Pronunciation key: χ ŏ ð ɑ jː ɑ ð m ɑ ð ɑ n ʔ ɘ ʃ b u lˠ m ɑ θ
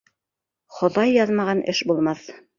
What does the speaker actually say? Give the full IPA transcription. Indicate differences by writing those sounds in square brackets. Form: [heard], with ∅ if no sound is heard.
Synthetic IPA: χ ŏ ð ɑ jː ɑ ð m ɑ [ʁ] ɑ n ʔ ɘ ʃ b u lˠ m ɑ θ